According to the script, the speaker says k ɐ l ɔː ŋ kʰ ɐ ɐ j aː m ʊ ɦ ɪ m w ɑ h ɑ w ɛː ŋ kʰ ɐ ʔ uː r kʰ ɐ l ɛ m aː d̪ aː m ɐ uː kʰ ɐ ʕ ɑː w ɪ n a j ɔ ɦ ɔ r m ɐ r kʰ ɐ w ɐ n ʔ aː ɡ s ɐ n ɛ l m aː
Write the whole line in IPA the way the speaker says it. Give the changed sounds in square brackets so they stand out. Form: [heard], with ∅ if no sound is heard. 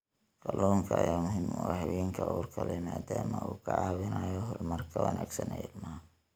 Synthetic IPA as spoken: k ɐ l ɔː ŋ kʰ ɐ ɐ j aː m ʊ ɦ ɪ m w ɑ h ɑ w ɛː ŋ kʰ ɐ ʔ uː r kʰ ɐ l ɛ m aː d̪ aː m ɐ uː kʰ ɐ ʕ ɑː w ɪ n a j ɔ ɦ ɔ r m ɐ r kʰ ɐ w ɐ n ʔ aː ɡ s ɐ n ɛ l m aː